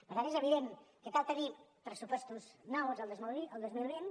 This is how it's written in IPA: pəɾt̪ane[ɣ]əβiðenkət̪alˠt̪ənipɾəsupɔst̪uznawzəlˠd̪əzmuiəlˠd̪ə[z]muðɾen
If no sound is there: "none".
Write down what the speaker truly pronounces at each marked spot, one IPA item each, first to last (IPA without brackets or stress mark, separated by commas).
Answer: z, z